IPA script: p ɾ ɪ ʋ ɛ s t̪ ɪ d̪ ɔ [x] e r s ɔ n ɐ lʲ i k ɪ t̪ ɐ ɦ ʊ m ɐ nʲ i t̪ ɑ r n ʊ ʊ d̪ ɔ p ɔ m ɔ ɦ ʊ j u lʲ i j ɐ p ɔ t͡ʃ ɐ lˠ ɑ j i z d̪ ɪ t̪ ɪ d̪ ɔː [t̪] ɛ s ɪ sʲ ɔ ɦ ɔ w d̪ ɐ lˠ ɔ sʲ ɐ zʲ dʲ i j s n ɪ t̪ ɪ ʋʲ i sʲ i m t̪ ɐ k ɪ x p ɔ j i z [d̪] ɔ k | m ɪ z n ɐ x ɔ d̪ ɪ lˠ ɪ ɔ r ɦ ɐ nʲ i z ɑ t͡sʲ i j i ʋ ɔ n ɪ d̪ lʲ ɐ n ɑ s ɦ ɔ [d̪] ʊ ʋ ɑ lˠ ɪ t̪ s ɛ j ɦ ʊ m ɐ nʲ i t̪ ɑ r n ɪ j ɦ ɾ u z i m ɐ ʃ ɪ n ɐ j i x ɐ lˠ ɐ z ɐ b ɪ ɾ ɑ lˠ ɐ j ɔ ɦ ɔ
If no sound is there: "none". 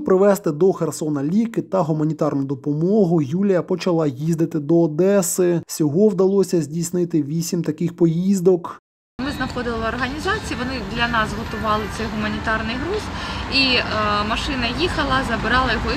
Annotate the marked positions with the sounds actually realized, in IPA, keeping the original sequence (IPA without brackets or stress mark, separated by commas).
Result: x, d̪, d̪, t̪